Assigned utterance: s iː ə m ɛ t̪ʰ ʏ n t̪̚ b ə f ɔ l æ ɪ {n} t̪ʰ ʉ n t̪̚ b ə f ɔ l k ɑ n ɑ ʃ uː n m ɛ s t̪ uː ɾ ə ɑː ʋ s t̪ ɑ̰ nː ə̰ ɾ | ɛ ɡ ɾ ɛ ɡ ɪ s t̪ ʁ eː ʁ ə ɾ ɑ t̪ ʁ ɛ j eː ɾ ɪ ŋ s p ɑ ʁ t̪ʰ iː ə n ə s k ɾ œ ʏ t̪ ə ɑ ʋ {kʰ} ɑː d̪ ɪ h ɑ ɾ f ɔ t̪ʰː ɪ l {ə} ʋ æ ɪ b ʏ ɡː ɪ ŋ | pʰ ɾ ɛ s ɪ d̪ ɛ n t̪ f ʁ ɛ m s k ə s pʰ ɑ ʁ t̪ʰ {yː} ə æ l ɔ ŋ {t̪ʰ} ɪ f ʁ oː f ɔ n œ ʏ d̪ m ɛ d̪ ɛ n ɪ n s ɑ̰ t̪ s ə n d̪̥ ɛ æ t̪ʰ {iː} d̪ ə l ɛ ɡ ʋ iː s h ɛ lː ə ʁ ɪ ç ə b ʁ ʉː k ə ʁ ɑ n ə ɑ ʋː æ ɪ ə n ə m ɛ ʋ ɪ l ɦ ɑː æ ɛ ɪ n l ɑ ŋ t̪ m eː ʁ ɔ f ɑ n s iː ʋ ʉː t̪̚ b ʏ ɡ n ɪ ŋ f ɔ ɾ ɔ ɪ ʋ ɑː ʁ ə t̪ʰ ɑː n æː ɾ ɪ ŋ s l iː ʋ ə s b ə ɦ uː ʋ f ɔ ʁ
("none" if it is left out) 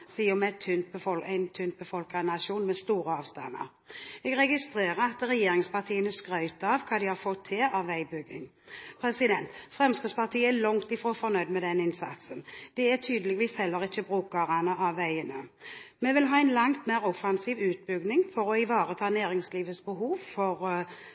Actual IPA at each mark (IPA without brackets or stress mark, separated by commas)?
n, kʰ, ɑ, iː, t̪, yː